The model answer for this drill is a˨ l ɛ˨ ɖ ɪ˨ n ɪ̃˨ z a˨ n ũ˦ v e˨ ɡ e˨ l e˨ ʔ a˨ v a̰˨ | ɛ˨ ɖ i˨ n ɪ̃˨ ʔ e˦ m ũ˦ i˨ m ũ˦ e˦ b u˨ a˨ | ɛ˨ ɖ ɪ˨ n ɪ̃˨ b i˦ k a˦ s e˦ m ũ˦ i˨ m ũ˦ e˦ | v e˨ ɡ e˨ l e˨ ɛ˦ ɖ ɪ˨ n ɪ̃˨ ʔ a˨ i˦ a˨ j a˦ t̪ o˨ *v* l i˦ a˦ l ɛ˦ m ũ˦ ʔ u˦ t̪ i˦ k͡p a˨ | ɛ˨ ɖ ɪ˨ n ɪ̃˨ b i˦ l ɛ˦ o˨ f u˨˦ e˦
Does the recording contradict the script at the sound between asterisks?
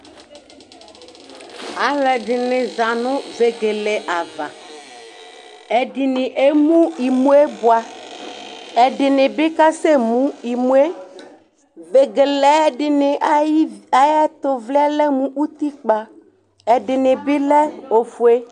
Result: no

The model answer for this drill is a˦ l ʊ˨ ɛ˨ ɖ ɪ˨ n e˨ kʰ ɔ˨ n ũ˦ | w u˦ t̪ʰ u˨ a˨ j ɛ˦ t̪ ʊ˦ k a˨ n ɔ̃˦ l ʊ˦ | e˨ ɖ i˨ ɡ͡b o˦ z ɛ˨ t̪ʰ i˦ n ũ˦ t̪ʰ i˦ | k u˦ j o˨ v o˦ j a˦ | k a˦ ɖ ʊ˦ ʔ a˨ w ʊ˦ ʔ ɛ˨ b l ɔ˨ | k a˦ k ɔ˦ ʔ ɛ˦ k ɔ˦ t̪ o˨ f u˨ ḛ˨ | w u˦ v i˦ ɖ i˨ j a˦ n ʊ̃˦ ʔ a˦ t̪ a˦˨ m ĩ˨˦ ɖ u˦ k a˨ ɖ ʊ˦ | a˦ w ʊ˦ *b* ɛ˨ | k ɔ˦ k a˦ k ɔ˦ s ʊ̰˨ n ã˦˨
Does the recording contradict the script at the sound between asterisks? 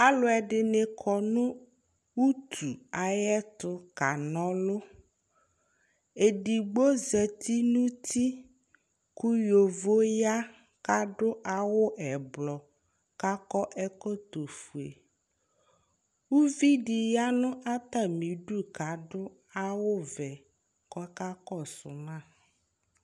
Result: yes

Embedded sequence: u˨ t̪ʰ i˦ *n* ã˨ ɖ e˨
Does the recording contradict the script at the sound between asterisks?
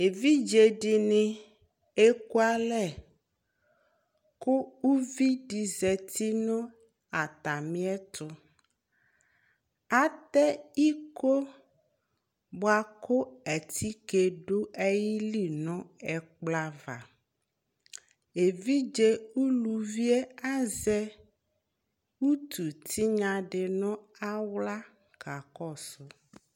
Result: yes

